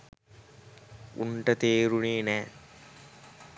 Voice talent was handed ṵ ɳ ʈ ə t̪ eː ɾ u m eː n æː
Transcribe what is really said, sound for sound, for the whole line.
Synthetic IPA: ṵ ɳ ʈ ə t̪ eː ɾ u n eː n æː